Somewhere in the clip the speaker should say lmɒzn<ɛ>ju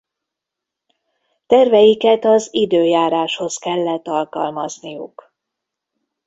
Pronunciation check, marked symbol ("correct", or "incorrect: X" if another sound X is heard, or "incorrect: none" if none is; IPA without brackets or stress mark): incorrect: i